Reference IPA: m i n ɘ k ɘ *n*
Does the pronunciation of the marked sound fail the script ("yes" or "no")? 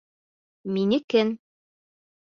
no